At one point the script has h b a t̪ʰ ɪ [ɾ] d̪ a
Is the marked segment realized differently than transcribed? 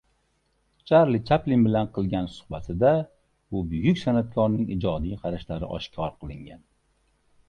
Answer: yes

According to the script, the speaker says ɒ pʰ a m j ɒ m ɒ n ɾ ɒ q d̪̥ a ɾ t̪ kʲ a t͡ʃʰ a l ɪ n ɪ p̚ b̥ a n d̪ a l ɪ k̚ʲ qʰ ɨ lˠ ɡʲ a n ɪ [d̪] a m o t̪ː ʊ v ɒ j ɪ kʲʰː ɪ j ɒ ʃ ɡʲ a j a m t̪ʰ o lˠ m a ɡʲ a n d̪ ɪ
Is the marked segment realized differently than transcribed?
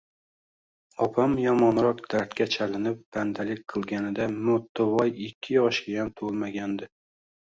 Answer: no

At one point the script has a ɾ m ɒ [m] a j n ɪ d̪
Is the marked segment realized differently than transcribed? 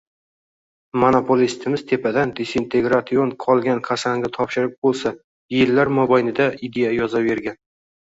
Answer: yes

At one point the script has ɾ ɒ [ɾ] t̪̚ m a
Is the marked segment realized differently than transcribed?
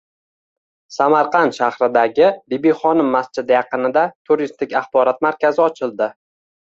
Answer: yes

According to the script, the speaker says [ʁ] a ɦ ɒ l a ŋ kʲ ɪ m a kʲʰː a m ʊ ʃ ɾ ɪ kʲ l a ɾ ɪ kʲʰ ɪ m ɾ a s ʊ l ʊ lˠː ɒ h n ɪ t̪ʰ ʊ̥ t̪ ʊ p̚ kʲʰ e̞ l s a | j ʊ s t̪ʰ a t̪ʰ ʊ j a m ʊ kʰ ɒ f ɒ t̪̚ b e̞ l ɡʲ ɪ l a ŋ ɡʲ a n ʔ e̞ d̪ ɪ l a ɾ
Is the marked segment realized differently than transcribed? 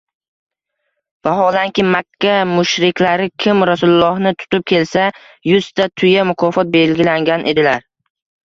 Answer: yes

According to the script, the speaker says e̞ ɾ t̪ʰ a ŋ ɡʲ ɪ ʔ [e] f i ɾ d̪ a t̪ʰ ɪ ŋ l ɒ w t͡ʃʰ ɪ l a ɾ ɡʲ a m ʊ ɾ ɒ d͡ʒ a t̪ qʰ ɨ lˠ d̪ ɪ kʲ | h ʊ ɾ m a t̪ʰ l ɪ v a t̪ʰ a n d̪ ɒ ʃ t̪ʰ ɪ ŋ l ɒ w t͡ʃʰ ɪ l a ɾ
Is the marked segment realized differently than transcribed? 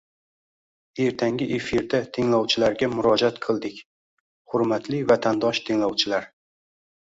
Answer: no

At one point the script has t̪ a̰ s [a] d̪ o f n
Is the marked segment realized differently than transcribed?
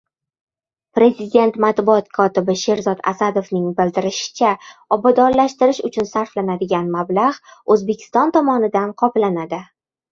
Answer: no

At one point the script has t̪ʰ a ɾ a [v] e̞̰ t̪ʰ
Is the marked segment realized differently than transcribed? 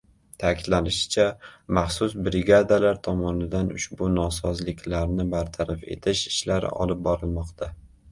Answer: yes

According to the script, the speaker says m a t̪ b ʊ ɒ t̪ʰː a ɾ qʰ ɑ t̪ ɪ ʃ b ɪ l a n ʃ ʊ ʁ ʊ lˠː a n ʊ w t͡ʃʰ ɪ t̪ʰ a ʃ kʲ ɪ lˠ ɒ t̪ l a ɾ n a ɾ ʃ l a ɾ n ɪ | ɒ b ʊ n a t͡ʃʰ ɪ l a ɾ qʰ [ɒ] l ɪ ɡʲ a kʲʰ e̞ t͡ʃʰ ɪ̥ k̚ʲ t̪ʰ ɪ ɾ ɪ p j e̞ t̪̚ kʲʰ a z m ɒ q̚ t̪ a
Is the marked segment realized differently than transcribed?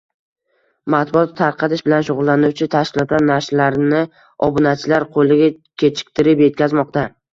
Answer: yes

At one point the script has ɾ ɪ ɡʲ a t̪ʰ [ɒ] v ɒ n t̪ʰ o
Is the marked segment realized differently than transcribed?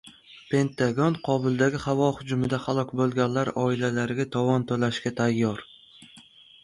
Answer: no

